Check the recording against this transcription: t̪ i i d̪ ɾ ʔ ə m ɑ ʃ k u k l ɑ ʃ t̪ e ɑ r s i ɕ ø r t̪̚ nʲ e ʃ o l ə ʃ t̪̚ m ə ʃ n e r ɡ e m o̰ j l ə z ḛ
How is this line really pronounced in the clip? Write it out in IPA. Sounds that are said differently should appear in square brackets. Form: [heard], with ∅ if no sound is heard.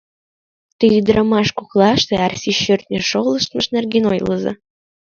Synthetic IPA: t̪ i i d̪ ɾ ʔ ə m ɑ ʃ k u k l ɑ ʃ t̪ e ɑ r s i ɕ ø r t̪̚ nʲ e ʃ o l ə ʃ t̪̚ m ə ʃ n e r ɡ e [n] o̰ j l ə z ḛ

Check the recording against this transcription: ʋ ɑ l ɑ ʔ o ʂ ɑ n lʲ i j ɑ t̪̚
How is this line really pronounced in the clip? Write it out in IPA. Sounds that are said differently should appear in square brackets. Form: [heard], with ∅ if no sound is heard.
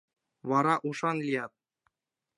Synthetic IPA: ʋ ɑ [ɾ] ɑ ʔ [u] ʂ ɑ n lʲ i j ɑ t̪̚

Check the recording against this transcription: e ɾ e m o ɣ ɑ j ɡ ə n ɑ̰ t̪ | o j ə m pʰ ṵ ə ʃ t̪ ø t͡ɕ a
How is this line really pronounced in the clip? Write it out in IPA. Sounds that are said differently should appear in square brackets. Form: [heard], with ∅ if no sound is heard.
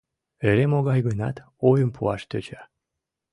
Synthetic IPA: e ɾ e m o ɣ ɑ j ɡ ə n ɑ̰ t̪ | o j ə m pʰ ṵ [ɑ] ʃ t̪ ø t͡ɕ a

